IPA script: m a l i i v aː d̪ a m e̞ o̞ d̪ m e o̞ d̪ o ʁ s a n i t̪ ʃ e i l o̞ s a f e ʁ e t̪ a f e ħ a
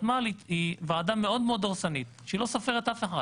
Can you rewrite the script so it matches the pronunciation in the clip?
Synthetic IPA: m a l i i v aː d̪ a m e̞ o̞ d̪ m e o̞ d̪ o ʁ s a n i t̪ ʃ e i l o̞ s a f e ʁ e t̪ a f e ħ a

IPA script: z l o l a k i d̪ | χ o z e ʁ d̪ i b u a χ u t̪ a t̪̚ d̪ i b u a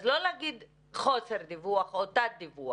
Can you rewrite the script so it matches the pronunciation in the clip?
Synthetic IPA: z l o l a ɡ i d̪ | χ o s e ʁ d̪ i v u a χ o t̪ a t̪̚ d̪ i v u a

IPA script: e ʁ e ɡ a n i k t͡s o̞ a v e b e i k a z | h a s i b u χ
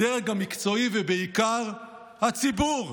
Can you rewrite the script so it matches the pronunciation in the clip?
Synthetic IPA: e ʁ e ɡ a m i k t͡s o̞ i v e b e i k a ʁ | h a t͡s i b u ʁ

